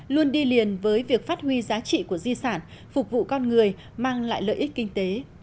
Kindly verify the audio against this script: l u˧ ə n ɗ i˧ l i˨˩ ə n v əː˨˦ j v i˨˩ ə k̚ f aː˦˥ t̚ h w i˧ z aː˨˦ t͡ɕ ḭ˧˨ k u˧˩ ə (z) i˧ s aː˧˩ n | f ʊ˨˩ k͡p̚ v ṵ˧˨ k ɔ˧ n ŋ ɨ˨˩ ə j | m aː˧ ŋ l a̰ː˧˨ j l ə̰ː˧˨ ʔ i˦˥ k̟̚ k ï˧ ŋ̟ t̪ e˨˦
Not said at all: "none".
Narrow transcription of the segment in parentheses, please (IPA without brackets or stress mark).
z